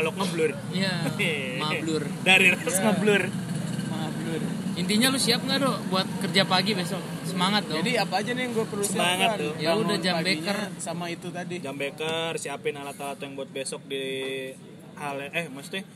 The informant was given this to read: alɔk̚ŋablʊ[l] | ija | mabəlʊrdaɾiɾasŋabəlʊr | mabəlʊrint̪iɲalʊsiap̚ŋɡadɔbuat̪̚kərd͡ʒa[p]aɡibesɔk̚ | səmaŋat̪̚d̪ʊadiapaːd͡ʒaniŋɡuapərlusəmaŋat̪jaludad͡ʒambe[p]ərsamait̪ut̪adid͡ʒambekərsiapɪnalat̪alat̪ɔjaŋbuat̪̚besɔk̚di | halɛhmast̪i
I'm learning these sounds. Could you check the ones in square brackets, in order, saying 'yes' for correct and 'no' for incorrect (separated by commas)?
no, yes, no